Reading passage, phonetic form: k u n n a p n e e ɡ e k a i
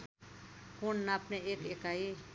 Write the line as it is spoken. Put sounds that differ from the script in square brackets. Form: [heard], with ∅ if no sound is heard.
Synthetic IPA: k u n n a p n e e [k] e k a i